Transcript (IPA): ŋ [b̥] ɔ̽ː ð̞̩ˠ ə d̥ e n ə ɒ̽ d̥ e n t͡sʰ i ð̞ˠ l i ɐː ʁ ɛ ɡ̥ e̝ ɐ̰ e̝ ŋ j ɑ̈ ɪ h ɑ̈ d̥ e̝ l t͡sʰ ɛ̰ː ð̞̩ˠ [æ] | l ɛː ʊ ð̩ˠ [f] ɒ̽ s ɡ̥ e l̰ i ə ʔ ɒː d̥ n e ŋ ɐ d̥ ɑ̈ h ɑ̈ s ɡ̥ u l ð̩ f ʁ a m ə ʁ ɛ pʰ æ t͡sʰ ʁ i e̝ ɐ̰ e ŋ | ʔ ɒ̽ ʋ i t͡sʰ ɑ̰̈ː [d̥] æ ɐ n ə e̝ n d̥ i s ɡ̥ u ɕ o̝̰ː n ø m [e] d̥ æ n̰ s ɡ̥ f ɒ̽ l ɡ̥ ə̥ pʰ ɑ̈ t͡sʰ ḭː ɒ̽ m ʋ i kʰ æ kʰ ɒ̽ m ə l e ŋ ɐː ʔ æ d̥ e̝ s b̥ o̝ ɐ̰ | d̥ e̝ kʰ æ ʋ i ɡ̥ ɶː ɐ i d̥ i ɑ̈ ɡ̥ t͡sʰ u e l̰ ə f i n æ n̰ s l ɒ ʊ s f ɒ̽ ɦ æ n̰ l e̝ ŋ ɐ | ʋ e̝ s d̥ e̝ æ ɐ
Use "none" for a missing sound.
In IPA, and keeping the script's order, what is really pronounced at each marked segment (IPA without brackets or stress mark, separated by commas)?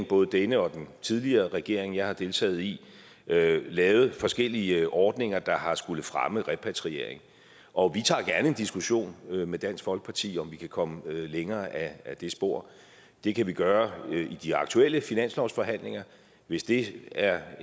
b̥, i, f, ɡ̥, e